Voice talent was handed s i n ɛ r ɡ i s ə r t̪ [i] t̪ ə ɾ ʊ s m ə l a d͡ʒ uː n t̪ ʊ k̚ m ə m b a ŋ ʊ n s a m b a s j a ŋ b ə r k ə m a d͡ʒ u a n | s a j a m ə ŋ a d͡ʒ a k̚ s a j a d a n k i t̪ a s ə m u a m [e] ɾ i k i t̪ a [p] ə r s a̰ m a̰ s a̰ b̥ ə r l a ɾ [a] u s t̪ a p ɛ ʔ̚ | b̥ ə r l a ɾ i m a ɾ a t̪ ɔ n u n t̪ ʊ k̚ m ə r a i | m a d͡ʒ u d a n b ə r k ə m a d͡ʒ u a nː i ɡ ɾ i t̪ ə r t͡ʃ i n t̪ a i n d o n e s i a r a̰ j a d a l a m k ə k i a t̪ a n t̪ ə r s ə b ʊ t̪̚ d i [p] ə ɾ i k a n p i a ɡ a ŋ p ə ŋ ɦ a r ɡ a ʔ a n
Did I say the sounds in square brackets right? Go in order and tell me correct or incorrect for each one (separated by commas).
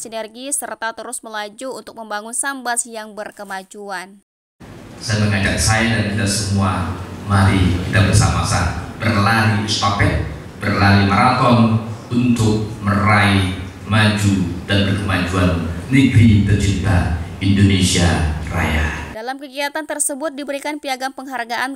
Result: incorrect, incorrect, incorrect, incorrect, incorrect